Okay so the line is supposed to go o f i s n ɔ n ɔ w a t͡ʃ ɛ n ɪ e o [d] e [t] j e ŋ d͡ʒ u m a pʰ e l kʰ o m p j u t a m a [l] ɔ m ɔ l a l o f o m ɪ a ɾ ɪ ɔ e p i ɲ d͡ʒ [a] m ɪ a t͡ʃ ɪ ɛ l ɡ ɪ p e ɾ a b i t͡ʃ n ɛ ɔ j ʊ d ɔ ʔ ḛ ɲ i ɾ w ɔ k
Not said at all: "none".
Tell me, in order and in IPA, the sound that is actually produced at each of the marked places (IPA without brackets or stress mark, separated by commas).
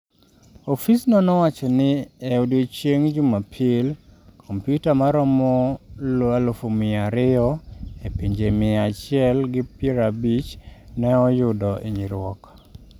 d, t͡ʃ, ɾ, e